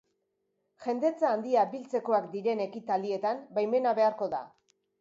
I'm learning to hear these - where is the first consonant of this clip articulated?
palate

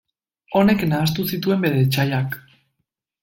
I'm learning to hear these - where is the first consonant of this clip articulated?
tongue tip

